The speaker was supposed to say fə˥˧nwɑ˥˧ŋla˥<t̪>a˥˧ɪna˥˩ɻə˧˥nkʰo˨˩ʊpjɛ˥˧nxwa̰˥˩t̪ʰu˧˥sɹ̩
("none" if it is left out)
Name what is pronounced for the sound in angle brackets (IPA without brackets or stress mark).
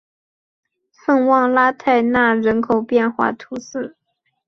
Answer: t̪ʰ